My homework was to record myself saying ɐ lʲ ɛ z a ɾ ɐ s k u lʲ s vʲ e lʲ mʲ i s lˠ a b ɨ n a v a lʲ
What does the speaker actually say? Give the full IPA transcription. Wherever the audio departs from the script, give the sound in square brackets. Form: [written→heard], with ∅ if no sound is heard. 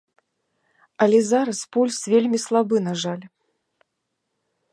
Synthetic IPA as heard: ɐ lʲ ɛ z a ɾ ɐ s [k→p] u lʲ s vʲ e lʲ mʲ i s lˠ a b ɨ n a [v→ʐ] a lʲ